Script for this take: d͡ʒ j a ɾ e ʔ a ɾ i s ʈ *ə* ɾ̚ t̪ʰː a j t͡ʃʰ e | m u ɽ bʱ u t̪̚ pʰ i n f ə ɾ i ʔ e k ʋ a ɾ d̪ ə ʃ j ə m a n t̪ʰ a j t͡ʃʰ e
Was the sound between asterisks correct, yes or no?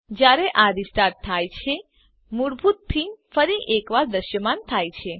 no